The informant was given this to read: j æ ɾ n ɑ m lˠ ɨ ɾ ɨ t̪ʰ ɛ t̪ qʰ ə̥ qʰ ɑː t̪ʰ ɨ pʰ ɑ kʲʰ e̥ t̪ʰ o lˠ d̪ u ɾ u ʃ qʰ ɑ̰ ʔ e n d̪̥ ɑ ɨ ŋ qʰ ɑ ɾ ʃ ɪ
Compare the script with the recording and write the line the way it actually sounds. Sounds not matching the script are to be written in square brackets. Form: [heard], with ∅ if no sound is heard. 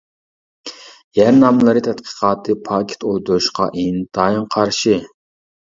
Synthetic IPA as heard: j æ ɾ n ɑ m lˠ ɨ ɾ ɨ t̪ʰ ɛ t̪ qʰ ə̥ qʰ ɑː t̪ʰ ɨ pʰ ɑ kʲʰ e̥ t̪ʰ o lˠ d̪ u ɾ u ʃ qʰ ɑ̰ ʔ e n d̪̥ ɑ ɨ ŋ qʰ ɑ ɾ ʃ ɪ